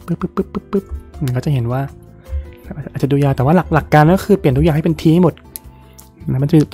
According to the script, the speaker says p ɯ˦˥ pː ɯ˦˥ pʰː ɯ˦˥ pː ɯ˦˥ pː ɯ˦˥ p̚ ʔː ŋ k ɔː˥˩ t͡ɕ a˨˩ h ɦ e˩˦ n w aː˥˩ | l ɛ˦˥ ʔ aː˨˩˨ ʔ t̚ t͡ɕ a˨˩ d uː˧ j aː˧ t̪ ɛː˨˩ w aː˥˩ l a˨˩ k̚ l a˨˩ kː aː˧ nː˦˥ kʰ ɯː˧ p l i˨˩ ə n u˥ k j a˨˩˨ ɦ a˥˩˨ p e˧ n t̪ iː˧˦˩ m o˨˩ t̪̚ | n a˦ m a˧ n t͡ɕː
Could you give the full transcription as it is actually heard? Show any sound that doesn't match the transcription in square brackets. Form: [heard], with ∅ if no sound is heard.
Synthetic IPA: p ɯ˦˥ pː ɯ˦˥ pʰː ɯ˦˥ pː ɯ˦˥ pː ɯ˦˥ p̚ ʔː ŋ k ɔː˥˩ t͡ɕ a˨˩ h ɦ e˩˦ n w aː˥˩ | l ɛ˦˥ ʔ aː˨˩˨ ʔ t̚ t͡ɕ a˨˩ d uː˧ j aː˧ t̪ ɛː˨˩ w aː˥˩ l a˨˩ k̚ l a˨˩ kː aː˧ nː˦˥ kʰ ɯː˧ p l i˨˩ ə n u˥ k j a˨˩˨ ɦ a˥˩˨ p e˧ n [t̪ʰ] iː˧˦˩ m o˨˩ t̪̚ | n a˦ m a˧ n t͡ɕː